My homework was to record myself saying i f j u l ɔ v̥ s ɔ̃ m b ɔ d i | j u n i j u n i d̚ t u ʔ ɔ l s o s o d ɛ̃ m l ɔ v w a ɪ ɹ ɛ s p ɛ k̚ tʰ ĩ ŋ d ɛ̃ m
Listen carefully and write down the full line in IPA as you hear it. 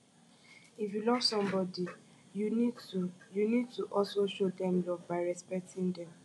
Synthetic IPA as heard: i f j u l ɔ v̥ s ɔ̃ m b ɔ d i | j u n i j u n i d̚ t u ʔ ɔ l s o ʃ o d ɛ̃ m l ɔ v b a ɪ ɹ ɛ s p ɛ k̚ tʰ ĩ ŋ d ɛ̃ m

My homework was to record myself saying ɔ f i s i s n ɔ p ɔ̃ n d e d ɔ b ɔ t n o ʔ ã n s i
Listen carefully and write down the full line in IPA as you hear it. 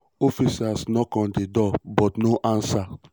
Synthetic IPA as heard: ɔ f i s a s n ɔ k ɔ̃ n d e d ɔ b ɔ t n o ʔ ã n s a

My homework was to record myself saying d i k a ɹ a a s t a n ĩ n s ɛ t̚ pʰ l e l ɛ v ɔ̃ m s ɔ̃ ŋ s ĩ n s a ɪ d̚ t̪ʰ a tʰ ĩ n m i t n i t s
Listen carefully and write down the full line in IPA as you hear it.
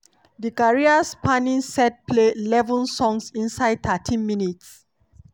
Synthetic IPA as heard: d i k a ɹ i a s p a n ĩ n s ɛ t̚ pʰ l e l ɛ v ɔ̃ n s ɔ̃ ŋ s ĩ n s a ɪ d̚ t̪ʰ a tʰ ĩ n m i n i t s

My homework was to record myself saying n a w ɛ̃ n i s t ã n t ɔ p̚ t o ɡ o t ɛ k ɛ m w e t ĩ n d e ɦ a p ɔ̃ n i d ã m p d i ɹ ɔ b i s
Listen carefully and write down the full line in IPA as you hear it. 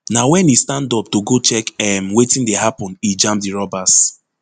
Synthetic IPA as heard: n a w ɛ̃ n i s t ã n d ɔ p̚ t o ɡ o t͡ʃ ɛ k ɛ m w e t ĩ n d e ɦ a p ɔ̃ n i d͡ʒ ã m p d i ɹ ɔ b a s

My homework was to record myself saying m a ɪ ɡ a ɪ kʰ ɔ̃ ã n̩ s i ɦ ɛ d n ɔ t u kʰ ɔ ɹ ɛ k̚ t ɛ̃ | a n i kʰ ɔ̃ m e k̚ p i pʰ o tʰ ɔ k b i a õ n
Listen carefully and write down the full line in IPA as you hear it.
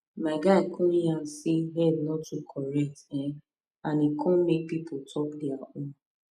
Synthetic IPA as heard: m a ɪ ɡ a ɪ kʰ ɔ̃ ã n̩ s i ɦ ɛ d n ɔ t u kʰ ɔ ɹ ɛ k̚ t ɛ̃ | a n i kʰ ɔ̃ m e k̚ p i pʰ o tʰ ɔ k d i a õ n

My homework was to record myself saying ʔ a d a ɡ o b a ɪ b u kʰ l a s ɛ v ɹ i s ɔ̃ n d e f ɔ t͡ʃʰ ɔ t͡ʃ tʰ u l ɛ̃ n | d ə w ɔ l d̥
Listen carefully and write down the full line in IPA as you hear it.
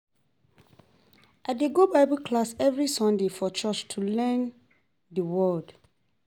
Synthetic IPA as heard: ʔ a d e ɡ o b a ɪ b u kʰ l a s ɛ v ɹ i s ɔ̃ n d e f ɔ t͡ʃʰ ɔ t͡ʃ tʰ u l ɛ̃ n | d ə w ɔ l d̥

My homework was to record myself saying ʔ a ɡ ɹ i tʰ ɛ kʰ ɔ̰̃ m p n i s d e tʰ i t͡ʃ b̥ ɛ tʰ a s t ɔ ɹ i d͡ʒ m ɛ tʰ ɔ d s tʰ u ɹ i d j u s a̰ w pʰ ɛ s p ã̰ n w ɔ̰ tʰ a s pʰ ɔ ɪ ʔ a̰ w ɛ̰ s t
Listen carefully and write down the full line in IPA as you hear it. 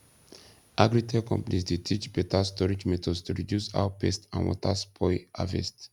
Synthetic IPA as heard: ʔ a ɡ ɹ i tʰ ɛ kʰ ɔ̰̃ m p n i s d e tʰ i t͡ʃ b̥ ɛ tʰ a s t ɔ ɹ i d͡ʒ m ɛ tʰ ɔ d s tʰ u ɹ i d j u s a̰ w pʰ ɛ s t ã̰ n w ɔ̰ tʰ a s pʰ ɔ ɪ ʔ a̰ v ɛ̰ s t

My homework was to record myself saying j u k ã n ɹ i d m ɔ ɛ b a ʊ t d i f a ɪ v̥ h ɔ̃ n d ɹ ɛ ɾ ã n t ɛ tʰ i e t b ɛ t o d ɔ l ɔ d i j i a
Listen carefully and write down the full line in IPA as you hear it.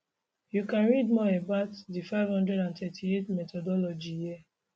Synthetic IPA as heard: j u k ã n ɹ i d m ɔ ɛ b a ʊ t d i f a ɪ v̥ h ɔ̃ n d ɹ ɛ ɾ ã n t ɛ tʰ i e t m ɛ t ɔ d ɔ l ɔ d͡ʒ i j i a

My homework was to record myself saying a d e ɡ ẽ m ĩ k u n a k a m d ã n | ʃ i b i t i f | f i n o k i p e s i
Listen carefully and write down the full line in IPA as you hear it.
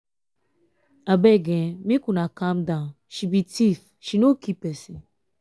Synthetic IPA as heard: a b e ɡ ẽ m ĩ k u n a k a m d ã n | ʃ i b i t i f | ʃ i n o k i p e s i

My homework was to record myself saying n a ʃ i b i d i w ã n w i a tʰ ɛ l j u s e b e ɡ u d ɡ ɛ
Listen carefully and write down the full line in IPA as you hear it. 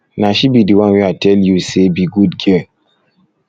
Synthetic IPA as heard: n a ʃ i b i d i w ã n w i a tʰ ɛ l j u s e b i ɡ u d ɡ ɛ

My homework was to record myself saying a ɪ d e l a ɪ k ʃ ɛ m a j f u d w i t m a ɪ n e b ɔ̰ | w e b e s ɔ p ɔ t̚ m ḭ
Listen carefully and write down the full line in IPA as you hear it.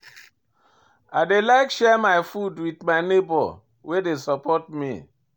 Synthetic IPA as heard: a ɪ d e l a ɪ k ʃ ɛ m a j f u d w i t m a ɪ n e b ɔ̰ | w e d e s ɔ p ɔ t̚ m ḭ

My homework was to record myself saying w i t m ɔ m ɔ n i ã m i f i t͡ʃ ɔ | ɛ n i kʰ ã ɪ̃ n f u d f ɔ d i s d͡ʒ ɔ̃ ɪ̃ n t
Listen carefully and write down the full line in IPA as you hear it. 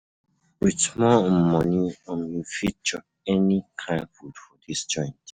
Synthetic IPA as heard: w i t m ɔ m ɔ n i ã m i f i t͡ʃ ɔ | ɛ n i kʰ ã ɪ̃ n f u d f ɔ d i s d͡ʒ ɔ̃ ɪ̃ n t

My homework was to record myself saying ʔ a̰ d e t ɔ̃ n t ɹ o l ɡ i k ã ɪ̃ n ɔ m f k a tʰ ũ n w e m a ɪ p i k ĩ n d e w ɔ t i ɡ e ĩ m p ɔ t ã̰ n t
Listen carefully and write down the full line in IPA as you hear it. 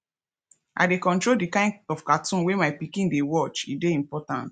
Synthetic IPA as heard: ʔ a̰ d e k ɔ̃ n t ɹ o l d i k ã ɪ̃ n ɔ f k a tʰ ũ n w e m a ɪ p i k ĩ n d e w ɔ t͡ʃ i d e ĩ m p ɔ t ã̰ n t

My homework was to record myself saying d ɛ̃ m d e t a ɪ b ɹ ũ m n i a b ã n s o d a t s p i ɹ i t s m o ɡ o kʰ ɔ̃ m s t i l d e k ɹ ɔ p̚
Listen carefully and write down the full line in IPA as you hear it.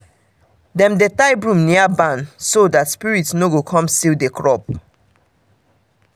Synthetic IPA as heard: d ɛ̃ m d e t a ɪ b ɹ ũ m n i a b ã n s o d a t s p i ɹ i t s n o ɡ o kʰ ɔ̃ m s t i l d e k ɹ ɔ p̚

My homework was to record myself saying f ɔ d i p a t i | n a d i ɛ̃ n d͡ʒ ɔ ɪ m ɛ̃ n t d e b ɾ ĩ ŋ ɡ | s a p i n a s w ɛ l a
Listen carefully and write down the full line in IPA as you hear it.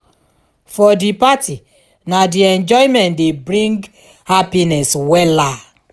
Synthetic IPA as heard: f ɔ d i p a t i | n a d i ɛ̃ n d͡ʒ ɔ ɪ m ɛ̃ n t d e b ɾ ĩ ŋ ɡ | h a p i n ɛ s w ɛ l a

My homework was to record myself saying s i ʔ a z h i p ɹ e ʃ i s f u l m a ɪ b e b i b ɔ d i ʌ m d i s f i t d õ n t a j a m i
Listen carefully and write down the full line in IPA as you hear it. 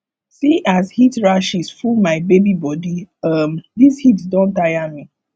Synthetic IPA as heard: s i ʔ a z h i t ɹ a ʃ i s f u l m a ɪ b e b i b ɔ d i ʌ m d i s h i t d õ n t a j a m i

